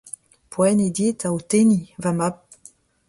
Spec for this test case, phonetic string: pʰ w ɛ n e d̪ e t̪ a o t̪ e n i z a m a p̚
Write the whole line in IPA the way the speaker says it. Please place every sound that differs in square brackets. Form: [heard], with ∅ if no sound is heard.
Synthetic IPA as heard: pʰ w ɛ n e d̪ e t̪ a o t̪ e n i [v] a m a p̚